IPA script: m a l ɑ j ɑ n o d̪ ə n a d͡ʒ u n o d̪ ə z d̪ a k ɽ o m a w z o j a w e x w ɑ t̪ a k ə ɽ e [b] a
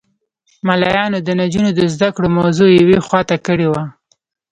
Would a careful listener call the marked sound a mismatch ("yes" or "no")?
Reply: yes